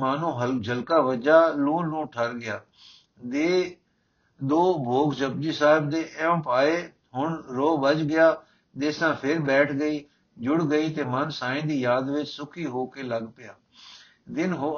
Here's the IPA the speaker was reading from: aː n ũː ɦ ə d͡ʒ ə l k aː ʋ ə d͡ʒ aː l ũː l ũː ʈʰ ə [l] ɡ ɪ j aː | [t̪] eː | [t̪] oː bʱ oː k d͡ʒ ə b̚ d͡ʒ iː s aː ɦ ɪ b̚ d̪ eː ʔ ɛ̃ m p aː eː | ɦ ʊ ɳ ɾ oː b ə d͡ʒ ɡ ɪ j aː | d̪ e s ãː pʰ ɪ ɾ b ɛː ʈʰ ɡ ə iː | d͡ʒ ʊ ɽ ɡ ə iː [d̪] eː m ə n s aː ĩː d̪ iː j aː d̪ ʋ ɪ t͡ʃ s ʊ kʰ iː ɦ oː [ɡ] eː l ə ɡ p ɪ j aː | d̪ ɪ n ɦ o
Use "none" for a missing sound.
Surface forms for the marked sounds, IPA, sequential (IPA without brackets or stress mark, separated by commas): ɾ, d̪, d̪, t̪, k